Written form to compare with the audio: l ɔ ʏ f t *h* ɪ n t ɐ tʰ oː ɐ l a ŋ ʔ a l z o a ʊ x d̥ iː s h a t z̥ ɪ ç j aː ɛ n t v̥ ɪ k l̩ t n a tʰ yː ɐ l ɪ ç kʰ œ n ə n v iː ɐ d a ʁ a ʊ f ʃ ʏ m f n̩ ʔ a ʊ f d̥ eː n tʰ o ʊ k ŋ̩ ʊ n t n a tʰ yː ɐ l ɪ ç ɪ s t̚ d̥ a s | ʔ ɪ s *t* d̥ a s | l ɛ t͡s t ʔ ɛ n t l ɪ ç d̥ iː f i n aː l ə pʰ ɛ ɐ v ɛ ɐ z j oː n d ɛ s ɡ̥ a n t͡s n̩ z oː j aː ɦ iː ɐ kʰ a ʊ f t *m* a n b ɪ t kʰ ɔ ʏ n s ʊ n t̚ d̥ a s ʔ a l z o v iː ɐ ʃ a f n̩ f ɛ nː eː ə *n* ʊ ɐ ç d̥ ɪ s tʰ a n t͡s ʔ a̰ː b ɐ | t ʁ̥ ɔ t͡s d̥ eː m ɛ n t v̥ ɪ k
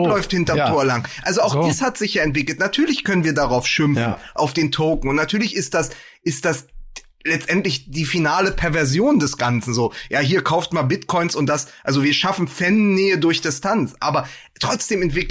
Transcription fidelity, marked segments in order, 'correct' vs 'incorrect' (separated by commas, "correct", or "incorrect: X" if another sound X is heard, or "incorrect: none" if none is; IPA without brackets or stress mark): correct, correct, correct, incorrect: d